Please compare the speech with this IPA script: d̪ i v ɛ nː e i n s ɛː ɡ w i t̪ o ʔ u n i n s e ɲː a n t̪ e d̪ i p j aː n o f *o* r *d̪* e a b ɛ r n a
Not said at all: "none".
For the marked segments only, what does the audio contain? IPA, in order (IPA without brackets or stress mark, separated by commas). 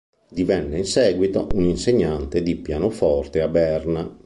ɔ, t̪